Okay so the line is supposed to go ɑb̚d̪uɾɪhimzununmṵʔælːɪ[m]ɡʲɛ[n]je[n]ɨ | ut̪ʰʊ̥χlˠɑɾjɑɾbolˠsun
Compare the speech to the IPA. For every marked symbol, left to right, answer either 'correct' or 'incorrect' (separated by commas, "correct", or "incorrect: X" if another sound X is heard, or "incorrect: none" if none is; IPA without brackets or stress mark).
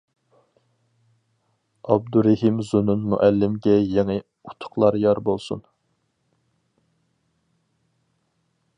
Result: correct, incorrect: none, incorrect: ŋ